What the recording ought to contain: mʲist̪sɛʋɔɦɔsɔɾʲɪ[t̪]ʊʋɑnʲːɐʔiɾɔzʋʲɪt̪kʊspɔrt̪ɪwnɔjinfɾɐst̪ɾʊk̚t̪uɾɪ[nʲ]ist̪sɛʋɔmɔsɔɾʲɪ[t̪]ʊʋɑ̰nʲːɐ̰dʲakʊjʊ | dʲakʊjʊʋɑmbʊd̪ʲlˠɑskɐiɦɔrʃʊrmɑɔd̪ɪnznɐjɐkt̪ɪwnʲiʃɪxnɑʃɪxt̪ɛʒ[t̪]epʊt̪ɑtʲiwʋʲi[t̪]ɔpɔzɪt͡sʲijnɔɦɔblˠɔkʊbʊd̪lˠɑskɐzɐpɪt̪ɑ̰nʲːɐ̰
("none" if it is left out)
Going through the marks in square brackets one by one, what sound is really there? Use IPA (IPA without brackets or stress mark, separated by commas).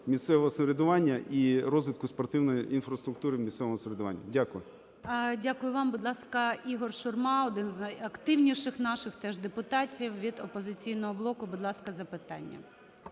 d̪, mʲ, d̪, d̪, d̪